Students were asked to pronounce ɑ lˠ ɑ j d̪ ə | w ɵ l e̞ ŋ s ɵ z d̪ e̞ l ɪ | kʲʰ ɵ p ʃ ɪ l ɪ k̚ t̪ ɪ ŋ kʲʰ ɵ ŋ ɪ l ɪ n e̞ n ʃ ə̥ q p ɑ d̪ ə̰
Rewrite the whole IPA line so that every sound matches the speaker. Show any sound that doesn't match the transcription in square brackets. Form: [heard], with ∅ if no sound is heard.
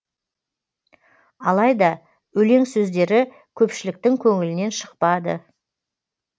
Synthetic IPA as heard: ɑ lˠ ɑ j d̪ [ɑ] | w ɵ l e̞ ŋ s ɵ z d̪ e̞ [ɾ] ɪ | kʲʰ ɵ p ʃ ɪ l ɪ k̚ t̪ ɪ ŋ kʲʰ ɵ ŋ ɪ l ɪ n e̞ n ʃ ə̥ q p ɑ d̪ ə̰